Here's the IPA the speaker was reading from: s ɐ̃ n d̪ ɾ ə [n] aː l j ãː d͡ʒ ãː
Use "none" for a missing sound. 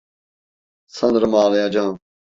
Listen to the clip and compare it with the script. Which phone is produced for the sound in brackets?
m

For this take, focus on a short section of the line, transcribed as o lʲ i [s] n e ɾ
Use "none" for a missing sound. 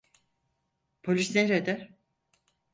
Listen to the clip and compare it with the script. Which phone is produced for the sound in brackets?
s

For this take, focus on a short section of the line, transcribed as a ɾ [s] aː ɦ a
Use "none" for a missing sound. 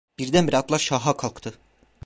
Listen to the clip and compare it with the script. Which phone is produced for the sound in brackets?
ʃ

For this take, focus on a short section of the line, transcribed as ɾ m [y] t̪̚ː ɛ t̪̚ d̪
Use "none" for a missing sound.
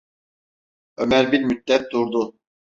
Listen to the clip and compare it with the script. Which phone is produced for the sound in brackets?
y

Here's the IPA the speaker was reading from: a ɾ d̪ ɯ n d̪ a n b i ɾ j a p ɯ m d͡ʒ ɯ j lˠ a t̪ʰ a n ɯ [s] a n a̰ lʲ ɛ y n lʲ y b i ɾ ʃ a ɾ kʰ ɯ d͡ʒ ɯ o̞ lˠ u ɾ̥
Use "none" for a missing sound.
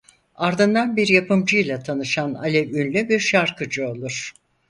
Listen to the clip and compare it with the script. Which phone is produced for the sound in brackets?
ʃ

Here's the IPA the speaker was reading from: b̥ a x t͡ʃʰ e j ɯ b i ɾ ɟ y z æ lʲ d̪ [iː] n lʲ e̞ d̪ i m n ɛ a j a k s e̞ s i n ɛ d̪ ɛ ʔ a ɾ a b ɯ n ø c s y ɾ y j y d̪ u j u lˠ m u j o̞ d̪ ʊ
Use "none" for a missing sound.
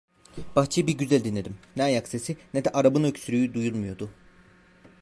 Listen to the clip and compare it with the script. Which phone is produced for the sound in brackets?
i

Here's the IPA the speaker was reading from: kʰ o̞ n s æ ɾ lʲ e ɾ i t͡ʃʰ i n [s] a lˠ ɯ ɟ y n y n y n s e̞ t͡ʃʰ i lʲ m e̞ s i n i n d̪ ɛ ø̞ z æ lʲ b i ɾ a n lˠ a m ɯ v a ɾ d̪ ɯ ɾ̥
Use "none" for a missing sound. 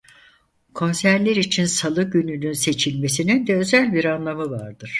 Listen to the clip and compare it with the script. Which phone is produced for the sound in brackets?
s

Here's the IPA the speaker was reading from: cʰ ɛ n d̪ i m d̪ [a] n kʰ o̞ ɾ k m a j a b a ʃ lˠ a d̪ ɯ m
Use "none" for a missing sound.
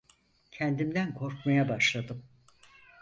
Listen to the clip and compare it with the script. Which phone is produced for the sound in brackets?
æ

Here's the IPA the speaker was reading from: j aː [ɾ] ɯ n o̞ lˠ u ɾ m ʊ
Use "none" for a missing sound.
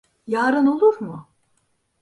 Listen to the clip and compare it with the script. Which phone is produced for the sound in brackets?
ɾ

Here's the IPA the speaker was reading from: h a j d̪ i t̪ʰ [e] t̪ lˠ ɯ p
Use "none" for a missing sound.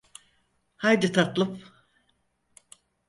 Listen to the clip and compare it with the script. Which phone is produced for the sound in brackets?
a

